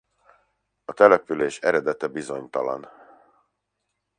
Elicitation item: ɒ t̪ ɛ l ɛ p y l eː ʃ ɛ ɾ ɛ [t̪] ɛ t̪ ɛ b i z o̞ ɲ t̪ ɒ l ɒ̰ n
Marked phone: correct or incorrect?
incorrect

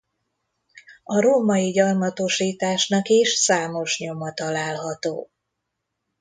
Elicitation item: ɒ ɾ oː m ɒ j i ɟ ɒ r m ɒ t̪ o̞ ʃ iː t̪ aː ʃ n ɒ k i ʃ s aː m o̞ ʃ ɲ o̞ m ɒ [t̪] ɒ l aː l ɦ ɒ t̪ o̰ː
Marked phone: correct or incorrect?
correct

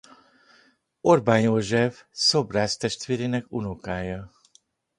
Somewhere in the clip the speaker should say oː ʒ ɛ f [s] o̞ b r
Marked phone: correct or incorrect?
correct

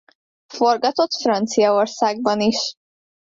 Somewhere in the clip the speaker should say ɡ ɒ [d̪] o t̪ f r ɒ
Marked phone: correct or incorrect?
incorrect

